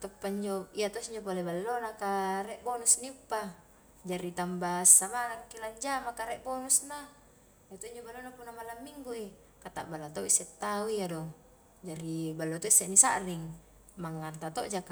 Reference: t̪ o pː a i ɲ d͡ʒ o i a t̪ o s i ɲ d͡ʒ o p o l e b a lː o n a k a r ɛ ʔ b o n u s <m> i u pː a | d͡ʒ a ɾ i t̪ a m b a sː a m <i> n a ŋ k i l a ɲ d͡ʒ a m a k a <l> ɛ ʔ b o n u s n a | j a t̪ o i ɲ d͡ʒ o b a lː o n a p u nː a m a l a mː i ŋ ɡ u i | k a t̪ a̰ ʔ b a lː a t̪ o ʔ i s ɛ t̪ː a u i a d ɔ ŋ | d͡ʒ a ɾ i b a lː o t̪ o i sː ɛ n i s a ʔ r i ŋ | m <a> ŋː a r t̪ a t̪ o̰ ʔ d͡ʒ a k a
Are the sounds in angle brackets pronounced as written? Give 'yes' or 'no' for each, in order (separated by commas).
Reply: no, no, no, yes